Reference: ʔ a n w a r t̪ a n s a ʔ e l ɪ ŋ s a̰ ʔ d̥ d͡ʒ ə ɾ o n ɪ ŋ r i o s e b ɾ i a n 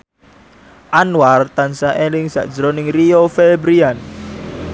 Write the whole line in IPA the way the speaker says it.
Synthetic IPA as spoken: ʔ a n w a r t̪ a n s a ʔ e l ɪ ŋ s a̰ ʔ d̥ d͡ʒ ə ɾ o n ɪ ŋ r i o f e b ɾ i a n